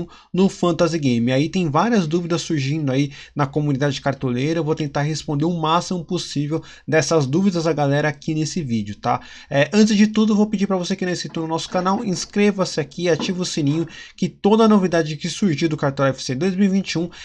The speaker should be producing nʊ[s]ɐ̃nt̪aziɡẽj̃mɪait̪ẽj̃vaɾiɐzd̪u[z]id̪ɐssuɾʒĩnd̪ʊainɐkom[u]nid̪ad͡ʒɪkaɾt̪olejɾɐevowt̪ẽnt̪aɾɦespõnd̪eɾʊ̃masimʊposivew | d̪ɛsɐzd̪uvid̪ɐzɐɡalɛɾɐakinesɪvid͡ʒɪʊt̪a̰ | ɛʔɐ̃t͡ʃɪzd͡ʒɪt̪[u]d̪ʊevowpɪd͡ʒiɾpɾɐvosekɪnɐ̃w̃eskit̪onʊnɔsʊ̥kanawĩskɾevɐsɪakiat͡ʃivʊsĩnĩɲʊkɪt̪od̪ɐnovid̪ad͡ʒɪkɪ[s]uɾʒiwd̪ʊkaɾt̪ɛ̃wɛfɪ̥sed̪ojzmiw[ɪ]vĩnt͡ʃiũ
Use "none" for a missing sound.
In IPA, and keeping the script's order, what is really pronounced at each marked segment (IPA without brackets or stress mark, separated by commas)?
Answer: f, v, u, u, s, i